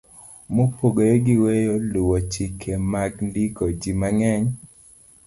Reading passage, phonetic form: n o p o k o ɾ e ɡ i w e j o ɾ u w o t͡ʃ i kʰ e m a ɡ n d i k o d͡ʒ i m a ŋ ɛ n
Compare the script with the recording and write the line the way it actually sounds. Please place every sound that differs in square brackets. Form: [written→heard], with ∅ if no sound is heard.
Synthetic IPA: [n→m] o p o [k→ɡ] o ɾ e ɡ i w e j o [ɾ→l] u w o t͡ʃ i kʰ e m a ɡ n d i k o d͡ʒ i m a ŋ ɛ [n→ɲ]